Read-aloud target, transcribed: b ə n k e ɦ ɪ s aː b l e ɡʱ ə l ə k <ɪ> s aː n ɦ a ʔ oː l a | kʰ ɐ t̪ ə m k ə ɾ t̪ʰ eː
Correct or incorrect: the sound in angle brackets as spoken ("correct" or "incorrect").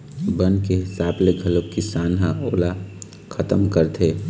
incorrect